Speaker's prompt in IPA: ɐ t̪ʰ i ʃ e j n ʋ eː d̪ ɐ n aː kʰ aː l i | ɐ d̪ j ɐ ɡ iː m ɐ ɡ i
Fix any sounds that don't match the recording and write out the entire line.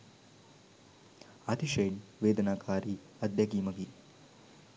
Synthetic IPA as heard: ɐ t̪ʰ i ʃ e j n ʋ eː d̪ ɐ n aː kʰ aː ɾ i | ɐ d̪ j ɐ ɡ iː m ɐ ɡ i